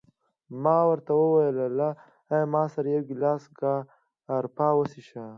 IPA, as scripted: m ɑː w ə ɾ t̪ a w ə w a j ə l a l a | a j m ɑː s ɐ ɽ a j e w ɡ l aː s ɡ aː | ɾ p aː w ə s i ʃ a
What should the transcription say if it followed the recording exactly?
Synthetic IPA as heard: m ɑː w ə ɾ t̪ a w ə w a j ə l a l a | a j m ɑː s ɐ ɾ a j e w ɡ l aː s ɡ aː | ɾ p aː w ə s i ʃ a